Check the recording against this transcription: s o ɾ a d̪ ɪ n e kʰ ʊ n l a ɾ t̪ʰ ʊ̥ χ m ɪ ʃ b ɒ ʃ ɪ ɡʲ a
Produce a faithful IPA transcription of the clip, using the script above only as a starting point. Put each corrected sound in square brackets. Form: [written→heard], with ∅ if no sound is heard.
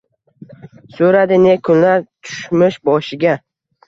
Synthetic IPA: s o ɾ a d̪ ɪ n e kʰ ʊ n l a ɾ t̪ʰ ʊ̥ [χ→ʃ] m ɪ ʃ b ɒ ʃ ɪ ɡʲ a